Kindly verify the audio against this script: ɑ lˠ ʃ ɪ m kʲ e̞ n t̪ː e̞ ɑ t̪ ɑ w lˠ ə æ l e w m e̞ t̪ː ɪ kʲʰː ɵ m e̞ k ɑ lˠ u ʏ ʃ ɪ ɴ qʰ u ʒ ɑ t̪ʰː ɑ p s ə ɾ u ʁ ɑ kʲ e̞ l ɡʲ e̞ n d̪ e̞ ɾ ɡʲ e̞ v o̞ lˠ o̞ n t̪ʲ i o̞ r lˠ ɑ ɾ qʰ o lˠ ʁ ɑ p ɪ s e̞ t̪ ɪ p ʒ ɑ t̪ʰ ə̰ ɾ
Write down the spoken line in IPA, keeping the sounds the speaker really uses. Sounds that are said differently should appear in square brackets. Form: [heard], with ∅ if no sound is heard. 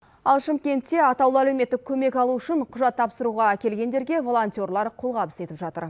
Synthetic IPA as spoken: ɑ lˠ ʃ ɪ m kʲ e̞ n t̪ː e̞ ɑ t̪ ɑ w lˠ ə æ l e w m e̞ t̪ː ɪ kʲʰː ɵ m e̞ k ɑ lˠ u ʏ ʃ ɪ ɴ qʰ [ʊ] ʒ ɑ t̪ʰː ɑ p s ə ɾ u ʁ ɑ kʲ e̞ l ɡʲ e̞ n d̪ e̞ ɾ ɡʲ e̞ v o̞ lˠ o̞ n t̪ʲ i o̞ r lˠ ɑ ɾ qʰ o lˠ ʁ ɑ p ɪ s e̞ t̪ ɪ p ʒ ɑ [t̪] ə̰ ɾ